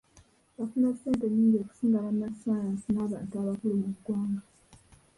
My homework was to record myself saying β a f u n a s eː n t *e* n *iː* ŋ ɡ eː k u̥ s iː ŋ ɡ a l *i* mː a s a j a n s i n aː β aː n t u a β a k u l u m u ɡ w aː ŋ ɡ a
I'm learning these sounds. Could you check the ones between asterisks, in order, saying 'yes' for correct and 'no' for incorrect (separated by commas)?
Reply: yes, yes, no